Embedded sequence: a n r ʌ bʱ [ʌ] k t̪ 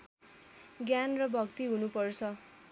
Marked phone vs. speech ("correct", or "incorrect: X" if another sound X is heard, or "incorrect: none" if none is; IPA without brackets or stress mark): correct